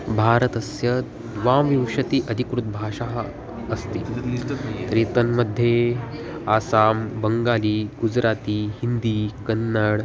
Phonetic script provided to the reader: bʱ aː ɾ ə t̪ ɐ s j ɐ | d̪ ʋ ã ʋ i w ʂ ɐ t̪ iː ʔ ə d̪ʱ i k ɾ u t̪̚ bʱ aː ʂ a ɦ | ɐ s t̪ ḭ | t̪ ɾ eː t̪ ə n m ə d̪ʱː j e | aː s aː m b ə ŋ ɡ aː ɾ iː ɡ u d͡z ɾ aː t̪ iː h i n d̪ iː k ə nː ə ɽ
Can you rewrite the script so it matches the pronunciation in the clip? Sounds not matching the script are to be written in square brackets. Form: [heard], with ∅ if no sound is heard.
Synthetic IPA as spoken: bʱ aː ɾ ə t̪ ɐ s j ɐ | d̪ ʋ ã ʋ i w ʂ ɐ t̪ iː ʔ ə d̪ʱ i k ɾ u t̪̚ bʱ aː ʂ a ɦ | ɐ s t̪ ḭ | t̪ ɾ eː t̪ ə n m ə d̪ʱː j e | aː s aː m b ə ŋ ɡ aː [l] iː ɡ u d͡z ɾ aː t̪ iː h i n d̪ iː k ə nː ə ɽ